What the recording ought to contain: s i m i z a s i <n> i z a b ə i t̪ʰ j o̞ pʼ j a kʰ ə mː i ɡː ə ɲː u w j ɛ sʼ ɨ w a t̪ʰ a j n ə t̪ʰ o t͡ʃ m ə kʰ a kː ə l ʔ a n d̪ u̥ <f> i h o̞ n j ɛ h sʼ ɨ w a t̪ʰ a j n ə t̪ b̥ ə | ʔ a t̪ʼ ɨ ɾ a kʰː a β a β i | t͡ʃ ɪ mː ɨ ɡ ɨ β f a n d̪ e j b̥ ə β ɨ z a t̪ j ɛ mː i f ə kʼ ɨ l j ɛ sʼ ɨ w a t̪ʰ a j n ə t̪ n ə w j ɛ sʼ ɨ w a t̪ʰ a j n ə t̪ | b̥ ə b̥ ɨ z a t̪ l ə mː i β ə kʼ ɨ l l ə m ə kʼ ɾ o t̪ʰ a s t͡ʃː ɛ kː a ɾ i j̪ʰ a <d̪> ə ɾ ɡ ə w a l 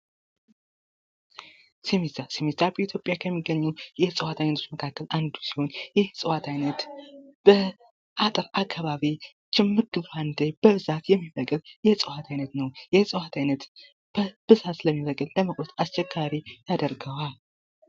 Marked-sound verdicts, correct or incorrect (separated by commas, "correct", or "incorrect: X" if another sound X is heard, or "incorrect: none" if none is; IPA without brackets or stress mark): incorrect: m, incorrect: s, correct